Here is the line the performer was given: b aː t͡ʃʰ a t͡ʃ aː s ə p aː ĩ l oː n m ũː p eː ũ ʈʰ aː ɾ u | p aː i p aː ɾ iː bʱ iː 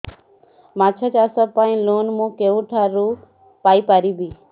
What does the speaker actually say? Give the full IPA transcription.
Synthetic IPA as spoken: m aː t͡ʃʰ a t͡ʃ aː s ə p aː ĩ l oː n m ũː k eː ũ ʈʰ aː ɾ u | p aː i p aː ɾ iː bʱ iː